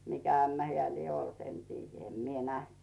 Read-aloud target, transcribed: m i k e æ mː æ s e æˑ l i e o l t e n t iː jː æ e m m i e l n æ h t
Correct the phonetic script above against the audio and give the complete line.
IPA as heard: m i k æ æ mː æ h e æˑ l i e o l t e n t iː jː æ e m m i e n æ h t